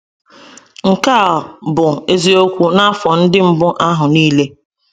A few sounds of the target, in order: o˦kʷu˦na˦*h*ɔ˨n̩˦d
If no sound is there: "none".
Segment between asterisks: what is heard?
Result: f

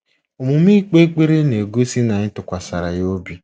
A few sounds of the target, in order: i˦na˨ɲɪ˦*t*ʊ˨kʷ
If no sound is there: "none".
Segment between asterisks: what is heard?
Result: t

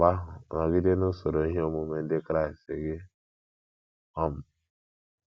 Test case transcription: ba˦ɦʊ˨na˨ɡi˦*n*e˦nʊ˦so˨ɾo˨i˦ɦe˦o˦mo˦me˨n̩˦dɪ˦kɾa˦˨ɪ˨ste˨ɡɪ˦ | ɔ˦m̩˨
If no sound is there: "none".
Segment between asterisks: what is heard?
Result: d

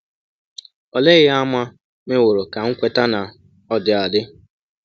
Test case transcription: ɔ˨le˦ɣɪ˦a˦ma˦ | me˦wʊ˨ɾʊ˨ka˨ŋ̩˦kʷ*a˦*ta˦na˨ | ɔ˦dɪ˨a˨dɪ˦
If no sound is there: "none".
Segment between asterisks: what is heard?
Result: e˦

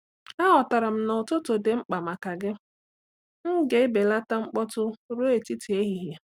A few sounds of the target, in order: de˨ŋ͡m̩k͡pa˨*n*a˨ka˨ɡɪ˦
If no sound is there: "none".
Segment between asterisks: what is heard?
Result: m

